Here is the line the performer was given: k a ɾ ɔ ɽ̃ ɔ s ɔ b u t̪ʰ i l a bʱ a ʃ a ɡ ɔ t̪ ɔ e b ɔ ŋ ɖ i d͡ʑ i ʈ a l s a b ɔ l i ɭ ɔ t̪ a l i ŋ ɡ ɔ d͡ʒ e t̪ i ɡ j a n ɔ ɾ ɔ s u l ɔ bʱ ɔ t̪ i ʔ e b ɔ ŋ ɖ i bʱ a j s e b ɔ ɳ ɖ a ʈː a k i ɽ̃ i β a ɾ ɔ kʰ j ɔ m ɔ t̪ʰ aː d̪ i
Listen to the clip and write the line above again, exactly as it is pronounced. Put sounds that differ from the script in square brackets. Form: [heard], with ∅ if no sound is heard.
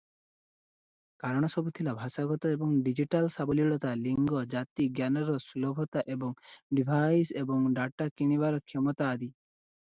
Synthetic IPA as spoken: k a ɾ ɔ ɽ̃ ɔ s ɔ b u t̪ʰ i l a bʱ a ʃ a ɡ ɔ t̪ ɔ e b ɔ ŋ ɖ i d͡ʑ i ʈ a l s a b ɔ l i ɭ ɔ t̪ a l i ŋ ɡ ɔ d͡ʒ [a] t̪ i ɡ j a n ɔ ɾ ɔ s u l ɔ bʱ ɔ t̪ [a] ʔ e b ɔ ŋ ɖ i bʱ a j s e b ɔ [ŋ] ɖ a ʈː a k i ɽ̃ i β a ɾ ɔ kʰ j ɔ m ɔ [t̪] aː d̪ i